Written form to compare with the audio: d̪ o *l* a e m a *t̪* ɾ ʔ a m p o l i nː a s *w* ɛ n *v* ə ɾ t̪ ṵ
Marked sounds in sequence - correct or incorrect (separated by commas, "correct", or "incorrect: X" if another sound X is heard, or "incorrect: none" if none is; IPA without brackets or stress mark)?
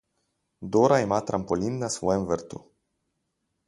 incorrect: ɾ, correct, correct, correct